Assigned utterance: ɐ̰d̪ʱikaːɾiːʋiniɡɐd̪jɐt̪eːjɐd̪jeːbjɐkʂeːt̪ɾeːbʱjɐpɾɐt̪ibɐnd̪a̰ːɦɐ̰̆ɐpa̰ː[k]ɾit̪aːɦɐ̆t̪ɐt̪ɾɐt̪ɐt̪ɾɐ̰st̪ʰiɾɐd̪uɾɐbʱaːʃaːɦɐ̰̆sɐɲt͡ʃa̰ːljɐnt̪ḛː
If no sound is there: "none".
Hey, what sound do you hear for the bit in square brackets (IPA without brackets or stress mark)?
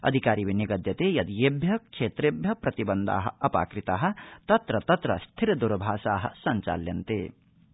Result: k